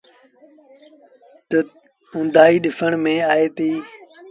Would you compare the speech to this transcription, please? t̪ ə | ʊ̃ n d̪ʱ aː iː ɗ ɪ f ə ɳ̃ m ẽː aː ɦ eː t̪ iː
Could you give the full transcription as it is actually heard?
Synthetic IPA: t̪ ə | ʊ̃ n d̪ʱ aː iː ɗ ɪ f ə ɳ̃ m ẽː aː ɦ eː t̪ iː